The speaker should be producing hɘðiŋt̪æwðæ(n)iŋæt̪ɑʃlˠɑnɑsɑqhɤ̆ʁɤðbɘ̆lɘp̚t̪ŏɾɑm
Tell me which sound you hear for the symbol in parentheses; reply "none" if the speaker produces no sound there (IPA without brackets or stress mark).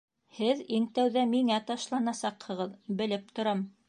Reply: m